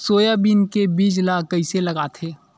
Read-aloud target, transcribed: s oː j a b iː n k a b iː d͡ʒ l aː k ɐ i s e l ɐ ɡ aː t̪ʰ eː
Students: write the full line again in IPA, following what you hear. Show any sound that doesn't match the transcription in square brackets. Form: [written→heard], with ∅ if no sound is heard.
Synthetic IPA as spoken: s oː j a b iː n k [a→e] b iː d͡ʒ l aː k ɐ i s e l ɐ ɡ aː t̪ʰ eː